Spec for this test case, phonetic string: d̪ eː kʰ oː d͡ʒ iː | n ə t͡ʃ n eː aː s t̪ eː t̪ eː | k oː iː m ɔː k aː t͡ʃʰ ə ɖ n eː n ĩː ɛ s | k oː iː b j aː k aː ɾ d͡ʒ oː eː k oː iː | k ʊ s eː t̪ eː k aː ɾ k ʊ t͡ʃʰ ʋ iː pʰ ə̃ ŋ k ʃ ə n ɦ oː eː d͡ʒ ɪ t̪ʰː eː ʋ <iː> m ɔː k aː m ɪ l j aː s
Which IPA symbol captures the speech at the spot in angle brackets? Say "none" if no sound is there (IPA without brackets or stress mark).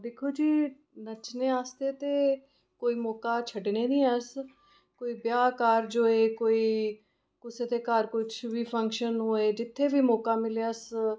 iː